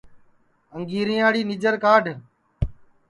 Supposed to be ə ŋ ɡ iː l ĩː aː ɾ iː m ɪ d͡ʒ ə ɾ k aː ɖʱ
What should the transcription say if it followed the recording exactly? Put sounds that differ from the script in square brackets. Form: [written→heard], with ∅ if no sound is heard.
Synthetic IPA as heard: ə ŋ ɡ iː [l→ɾ] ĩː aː [ɾ→ɽ] iː [m→n] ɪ d͡ʒ ə ɾ k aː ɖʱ